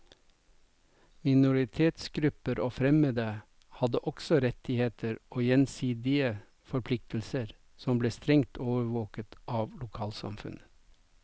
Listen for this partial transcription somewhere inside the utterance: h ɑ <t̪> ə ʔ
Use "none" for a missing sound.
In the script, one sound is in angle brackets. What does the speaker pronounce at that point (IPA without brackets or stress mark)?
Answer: d̪